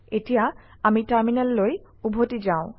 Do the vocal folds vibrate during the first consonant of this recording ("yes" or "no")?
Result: no